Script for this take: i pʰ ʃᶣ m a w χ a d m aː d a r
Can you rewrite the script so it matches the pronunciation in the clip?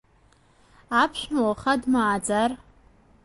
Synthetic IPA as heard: a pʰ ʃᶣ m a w χ a d m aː d͡z a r